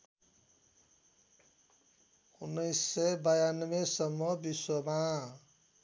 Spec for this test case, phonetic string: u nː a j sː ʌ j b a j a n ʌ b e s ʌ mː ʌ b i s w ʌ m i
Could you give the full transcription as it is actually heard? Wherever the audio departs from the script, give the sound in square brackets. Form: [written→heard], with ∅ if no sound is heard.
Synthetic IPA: u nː [a→ʌ] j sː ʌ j b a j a n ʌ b e s ʌ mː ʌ b i s w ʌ m [i→a]